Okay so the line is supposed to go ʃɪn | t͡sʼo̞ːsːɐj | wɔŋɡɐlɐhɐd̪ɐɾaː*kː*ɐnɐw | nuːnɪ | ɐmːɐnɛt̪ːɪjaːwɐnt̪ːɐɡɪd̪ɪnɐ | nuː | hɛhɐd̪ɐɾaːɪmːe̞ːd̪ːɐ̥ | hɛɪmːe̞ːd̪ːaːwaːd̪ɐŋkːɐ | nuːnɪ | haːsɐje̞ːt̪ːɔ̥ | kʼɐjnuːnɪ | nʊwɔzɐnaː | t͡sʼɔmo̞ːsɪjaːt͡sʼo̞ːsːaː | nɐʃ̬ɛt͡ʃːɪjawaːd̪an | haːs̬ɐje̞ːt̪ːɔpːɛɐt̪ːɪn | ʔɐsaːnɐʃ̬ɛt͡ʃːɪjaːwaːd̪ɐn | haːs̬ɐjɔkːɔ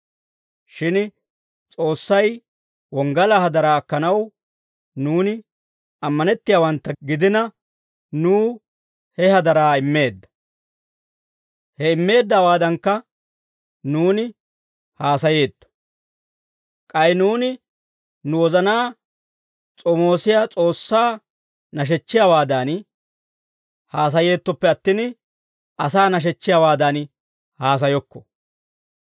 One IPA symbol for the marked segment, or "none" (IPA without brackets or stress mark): kː